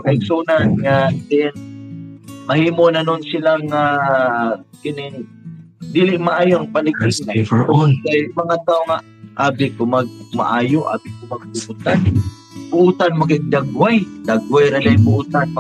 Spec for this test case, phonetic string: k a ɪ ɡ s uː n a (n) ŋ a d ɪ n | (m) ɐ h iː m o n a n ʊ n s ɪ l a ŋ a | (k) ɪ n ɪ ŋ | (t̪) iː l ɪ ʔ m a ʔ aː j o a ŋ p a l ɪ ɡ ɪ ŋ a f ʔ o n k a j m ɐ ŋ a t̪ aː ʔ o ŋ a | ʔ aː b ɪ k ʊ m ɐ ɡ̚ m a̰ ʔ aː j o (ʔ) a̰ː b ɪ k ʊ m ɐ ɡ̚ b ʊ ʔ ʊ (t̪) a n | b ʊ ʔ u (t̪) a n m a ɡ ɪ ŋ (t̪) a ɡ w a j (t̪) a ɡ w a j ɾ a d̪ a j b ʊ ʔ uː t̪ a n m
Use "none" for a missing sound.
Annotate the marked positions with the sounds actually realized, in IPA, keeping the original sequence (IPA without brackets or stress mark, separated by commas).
n, m, k, d̪, ʔ, t̪, t̪, d̪, d̪